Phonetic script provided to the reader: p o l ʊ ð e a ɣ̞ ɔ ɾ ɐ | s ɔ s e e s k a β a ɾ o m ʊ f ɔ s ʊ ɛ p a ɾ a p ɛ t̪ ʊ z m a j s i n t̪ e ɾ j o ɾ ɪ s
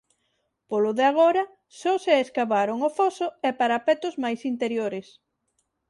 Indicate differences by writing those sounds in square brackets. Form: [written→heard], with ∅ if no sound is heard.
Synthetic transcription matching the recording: p o l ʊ ð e a ɣ̞ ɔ ɾ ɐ | s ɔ s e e s k a β a ɾ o [m→ŋ] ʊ f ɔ s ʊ ɛ p a ɾ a p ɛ t̪ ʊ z m a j s i n t̪ e ɾ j o ɾ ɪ s